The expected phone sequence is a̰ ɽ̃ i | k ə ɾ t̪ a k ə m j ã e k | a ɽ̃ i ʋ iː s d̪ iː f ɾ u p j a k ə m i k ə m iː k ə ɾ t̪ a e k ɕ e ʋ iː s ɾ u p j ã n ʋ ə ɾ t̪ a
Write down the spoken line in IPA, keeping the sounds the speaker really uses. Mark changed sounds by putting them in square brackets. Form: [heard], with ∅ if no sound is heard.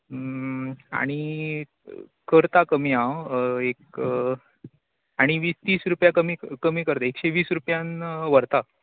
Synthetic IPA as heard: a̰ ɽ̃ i | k ə ɾ t̪ a k ə m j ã e k | a ɽ̃ i ʋ iː s [t̪] iː [s] ɾ u p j a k ə m i k ə m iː k ə ɾ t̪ a e k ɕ e ʋ iː s ɾ u p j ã n ʋ ə ɾ t̪ a